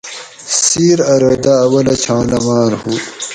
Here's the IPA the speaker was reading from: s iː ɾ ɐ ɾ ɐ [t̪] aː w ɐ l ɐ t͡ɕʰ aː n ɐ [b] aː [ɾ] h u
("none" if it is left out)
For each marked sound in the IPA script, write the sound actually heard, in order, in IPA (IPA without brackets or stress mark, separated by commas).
d̪, m, ɾ